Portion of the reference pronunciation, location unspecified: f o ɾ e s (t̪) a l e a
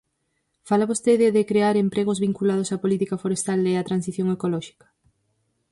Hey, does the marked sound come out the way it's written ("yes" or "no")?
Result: yes